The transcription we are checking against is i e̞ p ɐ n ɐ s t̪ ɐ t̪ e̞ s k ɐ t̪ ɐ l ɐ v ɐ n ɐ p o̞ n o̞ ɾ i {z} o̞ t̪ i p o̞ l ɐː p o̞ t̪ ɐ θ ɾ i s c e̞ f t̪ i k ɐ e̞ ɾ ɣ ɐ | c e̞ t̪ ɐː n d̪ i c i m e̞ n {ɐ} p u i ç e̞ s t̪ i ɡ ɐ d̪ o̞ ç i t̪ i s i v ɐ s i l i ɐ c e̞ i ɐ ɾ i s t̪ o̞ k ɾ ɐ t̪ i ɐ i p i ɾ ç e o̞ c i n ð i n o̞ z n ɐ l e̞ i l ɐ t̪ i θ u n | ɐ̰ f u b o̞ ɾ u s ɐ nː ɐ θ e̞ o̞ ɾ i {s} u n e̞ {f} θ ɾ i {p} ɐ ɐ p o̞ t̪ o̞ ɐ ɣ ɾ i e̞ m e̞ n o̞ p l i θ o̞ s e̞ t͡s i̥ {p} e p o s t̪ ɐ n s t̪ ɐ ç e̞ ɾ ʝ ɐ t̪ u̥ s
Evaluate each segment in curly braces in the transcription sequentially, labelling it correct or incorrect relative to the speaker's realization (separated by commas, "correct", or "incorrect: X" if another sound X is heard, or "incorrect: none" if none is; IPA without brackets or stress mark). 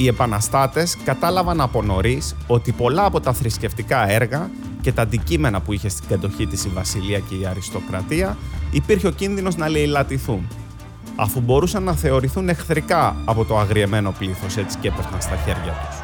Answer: incorrect: s, correct, incorrect: θ, incorrect: x, incorrect: k, incorrect: c